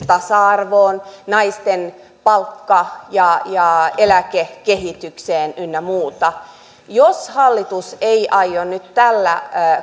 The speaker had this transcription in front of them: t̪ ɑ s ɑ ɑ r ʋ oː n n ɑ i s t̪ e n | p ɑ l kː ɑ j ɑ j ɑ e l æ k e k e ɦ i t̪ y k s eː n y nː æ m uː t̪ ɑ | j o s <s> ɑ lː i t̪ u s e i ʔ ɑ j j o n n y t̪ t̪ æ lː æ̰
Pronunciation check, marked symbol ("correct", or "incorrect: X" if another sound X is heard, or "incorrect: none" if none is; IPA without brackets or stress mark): incorrect: h